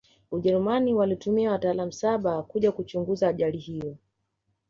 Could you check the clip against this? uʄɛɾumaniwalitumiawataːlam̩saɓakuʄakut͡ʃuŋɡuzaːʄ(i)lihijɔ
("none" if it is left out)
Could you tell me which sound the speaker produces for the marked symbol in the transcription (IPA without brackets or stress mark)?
a